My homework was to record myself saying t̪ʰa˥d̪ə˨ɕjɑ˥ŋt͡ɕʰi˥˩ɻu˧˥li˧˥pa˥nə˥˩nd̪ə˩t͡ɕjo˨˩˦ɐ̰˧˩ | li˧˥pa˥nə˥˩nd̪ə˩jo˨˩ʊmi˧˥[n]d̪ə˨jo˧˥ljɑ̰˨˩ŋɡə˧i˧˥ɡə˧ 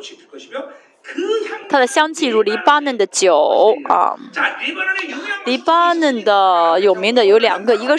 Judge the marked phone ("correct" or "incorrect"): incorrect